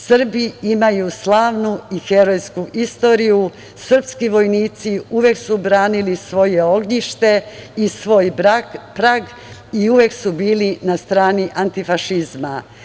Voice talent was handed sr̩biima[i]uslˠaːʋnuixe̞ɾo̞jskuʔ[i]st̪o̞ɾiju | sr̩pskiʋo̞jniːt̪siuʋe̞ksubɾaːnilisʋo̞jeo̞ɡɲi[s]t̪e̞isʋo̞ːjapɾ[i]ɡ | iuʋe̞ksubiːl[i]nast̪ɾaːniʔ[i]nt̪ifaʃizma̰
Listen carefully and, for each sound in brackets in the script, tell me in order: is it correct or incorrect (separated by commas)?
incorrect, correct, incorrect, incorrect, correct, incorrect